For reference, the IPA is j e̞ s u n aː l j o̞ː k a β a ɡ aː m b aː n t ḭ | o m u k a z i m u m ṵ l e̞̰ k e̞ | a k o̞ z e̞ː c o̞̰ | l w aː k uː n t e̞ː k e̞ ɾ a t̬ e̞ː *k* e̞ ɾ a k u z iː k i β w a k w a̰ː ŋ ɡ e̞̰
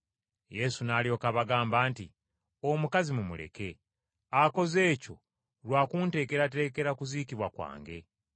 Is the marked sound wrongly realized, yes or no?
no